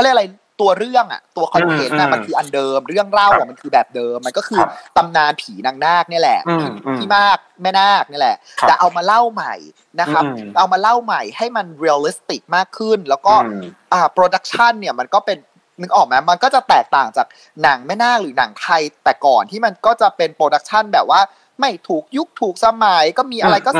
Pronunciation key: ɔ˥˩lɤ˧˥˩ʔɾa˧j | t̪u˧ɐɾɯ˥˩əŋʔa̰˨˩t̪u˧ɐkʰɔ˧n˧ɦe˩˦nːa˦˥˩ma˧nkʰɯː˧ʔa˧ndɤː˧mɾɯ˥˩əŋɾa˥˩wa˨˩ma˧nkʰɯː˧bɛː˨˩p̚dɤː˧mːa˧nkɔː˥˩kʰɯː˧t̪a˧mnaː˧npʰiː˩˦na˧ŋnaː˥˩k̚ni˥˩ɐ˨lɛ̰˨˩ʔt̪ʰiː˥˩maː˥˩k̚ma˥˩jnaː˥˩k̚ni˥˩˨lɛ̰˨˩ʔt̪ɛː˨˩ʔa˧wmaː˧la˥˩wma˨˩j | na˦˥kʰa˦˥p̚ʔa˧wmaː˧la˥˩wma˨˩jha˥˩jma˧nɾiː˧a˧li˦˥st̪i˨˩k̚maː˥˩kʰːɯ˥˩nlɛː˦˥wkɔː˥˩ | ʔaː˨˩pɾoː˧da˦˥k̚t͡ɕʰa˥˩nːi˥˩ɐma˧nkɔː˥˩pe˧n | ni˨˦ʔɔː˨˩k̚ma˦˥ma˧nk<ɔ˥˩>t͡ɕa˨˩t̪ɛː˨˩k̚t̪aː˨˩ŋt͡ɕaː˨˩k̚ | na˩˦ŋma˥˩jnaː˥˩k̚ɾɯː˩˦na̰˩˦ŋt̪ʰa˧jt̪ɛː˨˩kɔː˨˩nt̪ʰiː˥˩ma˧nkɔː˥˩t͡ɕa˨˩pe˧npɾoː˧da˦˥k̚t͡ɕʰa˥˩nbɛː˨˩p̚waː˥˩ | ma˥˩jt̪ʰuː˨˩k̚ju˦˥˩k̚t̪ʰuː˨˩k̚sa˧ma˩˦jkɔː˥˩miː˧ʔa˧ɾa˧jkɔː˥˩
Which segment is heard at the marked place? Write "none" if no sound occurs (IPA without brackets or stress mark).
ɔː˥˩